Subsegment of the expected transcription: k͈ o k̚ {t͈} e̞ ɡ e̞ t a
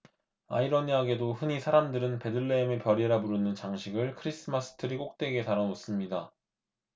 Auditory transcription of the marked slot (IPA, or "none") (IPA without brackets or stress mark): t͈